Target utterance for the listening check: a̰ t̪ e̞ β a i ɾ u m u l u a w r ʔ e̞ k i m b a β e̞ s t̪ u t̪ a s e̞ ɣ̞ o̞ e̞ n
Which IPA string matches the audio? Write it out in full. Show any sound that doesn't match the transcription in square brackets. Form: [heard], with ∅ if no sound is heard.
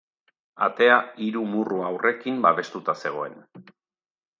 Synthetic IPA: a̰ t̪ e̞ [∅] a i ɾ u m u [r] u a w r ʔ e̞ k i m b a β e̞ s t̪ u t̪ a s e̞ ɣ̞ o̞ e̞ n